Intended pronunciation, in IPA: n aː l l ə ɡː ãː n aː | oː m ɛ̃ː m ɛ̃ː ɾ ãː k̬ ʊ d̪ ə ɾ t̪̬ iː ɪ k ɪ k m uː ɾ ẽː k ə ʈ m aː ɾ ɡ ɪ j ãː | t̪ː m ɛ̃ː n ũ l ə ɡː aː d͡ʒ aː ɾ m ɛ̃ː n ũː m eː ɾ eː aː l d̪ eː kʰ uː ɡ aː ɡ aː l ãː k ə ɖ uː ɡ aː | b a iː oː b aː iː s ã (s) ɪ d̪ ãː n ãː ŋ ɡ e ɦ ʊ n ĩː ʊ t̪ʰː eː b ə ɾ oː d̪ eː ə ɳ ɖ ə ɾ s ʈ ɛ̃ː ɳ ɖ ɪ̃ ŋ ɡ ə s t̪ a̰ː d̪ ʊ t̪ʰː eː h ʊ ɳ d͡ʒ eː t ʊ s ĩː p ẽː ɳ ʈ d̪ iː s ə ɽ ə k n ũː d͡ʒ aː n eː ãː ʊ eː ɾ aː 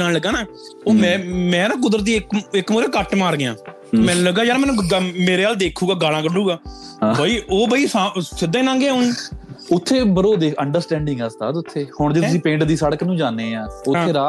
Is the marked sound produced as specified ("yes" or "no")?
yes